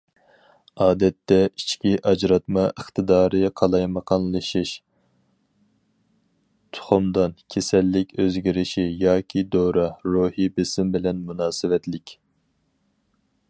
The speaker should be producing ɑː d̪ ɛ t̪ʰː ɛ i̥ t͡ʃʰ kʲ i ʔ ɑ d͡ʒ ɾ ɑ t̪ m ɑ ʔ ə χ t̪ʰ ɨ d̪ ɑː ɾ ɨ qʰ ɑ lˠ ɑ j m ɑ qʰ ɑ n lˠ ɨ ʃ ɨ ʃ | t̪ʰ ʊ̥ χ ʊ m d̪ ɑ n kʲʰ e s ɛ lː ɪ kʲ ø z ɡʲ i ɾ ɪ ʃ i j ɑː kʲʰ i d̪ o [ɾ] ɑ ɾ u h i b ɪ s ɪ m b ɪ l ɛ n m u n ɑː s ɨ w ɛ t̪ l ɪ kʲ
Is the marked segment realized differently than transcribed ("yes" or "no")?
no